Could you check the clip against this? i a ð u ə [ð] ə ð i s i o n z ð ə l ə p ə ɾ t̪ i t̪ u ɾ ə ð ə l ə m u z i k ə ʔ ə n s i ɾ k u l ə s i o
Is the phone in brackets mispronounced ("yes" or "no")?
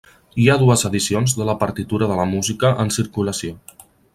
yes